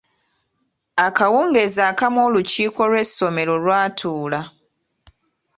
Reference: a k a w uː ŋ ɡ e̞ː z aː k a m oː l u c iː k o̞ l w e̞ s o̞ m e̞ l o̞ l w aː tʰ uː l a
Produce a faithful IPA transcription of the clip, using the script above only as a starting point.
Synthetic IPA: a k a w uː ŋ ɡ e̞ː z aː k a m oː l u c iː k o̞ l w e̞ s o̞ m e̞ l o̞ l w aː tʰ uː l a